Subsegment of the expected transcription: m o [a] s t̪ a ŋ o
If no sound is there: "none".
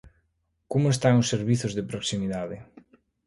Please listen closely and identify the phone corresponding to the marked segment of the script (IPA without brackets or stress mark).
e